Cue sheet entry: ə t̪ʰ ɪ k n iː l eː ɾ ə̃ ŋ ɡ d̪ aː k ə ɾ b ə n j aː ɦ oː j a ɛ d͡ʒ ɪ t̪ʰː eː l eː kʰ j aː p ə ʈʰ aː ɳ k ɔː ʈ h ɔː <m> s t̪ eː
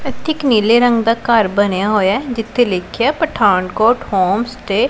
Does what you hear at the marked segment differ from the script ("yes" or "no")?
no